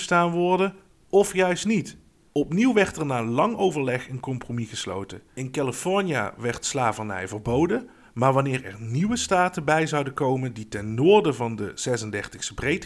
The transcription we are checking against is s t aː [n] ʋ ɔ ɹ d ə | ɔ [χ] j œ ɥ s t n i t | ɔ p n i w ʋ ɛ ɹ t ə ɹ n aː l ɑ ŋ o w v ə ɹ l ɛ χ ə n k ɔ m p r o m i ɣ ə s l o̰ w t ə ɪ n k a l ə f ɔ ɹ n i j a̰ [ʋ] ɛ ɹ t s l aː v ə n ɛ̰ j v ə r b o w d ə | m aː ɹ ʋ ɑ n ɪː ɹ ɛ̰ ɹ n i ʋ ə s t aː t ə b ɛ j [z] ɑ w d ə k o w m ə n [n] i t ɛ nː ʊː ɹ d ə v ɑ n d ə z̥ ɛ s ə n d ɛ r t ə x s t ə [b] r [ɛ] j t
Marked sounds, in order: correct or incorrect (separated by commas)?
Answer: correct, incorrect, correct, correct, incorrect, correct, incorrect